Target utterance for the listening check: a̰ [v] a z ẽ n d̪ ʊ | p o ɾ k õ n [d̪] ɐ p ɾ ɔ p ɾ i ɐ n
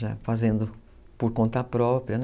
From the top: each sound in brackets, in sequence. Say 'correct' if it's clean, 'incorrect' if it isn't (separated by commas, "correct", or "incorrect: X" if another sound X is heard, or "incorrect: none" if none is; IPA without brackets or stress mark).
incorrect: f, incorrect: t̪